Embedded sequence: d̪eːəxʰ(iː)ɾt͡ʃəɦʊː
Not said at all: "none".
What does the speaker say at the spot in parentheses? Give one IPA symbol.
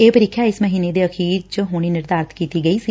iː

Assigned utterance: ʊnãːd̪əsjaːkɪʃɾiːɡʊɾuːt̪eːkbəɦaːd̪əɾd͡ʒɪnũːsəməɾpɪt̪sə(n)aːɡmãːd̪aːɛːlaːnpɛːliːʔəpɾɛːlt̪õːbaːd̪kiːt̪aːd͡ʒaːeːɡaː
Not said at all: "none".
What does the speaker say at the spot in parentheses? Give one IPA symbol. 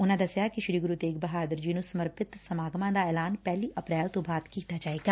m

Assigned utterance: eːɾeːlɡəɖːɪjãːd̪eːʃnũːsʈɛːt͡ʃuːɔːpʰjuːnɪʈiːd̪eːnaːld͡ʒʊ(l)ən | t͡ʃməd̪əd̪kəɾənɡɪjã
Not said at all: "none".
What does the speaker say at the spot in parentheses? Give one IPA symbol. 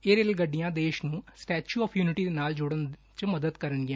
ɽ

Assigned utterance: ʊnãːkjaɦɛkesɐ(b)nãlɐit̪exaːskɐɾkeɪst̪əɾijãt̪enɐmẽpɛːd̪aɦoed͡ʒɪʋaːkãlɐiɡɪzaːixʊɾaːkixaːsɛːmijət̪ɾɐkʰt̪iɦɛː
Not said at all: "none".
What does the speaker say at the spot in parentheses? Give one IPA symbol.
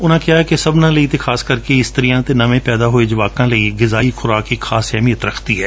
b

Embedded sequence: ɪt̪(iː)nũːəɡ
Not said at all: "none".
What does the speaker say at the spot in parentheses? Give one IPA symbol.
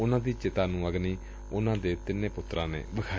aː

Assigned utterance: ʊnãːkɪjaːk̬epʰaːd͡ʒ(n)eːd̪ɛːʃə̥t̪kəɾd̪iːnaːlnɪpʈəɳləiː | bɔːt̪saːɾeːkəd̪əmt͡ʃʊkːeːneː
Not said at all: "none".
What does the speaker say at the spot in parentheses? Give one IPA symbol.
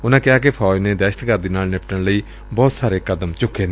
n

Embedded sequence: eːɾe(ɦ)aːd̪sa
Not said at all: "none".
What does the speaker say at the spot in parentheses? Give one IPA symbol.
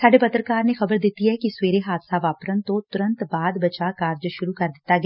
ɦ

